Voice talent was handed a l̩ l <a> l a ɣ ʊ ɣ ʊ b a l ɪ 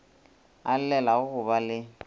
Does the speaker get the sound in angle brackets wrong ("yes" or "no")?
yes